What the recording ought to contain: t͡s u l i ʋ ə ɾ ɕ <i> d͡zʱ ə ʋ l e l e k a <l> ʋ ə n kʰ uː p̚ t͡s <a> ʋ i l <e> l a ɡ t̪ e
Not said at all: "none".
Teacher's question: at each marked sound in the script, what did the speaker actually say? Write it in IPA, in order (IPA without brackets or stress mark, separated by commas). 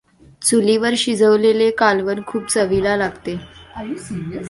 i, l, ə, a